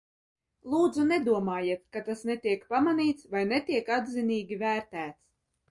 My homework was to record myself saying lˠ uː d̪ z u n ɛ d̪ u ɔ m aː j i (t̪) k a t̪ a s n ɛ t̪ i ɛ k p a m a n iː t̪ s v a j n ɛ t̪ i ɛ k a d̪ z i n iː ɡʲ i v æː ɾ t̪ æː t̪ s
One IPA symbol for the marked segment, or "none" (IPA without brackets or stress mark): t̪